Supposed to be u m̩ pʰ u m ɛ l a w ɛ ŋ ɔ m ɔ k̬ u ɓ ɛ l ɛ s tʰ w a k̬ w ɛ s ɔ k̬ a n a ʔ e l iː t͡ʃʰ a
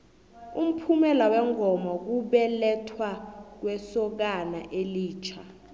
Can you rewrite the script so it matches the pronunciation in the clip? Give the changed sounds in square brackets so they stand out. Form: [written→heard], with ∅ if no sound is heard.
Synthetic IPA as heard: u m̩ pʰ u m ɛ l a w ɛ ŋ ɔ m ɔ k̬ u ɓ ɛ l ɛ [s→∅] tʰ w a k̬ w ɛ s ɔ k̬ a n a ʔ e l iː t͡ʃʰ a